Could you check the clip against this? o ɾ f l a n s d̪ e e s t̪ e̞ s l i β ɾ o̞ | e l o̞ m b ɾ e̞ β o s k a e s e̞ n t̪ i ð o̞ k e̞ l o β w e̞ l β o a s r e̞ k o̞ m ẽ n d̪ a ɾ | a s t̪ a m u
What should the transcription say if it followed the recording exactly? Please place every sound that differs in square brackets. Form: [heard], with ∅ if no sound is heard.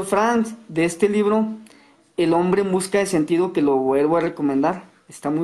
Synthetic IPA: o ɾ f [ɾ] a n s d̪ e e s t̪ e̞ [∅] l i β ɾ o̞ | e l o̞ m b ɾ e̞ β [u] s k a e s e̞ n t̪ i ð o̞ k e̞ l o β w e̞ l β o a [∅] r e̞ k o̞ m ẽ n d̪ a ɾ | [e] s t̪ a m u